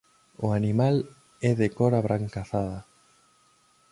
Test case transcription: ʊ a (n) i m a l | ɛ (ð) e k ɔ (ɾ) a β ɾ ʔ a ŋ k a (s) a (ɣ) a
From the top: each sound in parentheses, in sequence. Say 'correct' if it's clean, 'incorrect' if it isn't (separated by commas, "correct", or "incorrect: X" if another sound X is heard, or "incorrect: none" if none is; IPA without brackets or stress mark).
correct, correct, correct, incorrect: θ, incorrect: ð